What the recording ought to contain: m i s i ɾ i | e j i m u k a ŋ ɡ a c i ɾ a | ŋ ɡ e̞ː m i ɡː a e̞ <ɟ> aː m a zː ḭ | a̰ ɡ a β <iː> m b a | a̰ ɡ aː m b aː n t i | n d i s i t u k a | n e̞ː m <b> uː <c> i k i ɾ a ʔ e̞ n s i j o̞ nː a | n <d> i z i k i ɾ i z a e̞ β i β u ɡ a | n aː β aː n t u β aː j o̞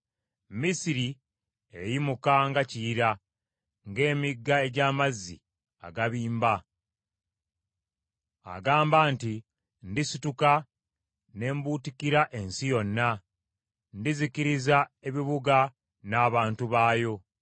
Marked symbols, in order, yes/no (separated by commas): yes, yes, yes, no, yes